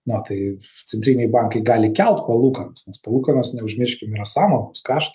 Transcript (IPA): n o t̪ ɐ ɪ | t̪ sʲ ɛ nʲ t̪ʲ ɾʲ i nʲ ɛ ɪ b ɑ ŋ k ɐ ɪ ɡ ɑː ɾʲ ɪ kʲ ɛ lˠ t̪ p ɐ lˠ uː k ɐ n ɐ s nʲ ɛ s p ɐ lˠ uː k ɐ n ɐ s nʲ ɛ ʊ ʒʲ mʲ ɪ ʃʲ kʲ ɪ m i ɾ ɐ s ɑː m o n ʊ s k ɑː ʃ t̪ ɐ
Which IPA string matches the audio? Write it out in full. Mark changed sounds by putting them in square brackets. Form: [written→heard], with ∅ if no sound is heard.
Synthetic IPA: n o t̪ ɐ ɪ | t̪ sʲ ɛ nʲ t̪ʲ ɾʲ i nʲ ɛ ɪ b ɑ ŋ k ɐ ɪ ɡ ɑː [ɾʲ→lʲ] ɪ kʲ ɛ lˠ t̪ p ɐ lˠ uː k ɐ n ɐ s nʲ ɛ s p ɐ lˠ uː k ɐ n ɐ s nʲ ɛ ʊ ʒʲ mʲ ɪ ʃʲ kʲ ɪ m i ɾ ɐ s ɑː m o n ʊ s k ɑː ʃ t̪ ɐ